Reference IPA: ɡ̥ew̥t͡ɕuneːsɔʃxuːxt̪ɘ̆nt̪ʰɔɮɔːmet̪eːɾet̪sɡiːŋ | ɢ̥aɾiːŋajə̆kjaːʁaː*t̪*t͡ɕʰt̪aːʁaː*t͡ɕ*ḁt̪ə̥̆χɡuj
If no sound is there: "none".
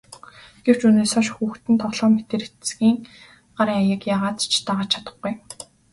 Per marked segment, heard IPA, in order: t̪, t͡ɕʰ

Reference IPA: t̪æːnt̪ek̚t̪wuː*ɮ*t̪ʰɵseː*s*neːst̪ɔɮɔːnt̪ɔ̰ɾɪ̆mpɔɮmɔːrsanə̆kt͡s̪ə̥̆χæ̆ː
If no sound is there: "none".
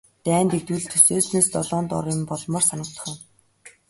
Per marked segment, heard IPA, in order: ɮ, s

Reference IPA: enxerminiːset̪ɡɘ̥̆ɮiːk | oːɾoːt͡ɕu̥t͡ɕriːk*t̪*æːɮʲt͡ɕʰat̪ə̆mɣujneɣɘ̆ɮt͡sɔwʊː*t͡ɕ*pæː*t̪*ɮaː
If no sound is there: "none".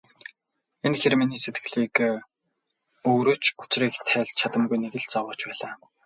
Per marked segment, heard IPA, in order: t̪ʰ, t͡ɕ, none

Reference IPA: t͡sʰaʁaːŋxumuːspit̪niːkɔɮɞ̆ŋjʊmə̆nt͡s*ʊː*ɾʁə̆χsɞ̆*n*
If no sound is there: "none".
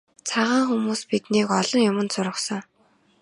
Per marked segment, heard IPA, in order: ʊ, ŋ

